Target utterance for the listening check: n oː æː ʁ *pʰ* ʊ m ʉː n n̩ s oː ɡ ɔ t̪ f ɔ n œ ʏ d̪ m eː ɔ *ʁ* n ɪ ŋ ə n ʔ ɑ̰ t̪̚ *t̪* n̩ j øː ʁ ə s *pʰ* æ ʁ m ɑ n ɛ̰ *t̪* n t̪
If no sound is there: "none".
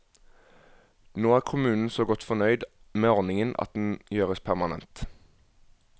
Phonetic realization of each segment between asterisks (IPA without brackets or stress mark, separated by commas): kʰ, ʁ, d̪, pʰ, none